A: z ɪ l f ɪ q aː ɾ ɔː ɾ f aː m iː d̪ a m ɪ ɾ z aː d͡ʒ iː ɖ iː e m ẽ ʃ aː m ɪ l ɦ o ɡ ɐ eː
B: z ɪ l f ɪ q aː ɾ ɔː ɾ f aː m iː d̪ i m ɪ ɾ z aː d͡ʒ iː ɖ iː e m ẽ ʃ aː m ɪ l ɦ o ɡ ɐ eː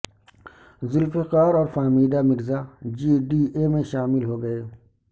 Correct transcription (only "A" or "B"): A